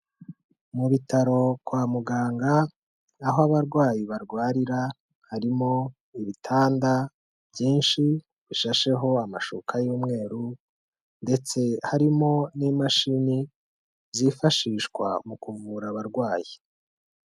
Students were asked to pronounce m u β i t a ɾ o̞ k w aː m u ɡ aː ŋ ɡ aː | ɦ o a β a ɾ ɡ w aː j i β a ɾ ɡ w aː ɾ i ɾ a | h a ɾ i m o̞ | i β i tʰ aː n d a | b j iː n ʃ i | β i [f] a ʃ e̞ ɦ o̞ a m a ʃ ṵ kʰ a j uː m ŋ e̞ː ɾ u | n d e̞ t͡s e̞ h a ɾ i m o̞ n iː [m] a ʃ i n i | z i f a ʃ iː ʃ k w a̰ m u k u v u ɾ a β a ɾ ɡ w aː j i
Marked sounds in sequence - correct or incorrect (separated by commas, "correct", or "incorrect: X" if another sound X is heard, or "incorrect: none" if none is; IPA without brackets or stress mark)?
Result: incorrect: ʃ, correct